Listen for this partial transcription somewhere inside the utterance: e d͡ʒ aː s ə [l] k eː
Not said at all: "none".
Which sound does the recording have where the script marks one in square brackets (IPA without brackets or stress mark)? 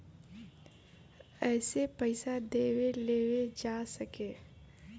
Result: none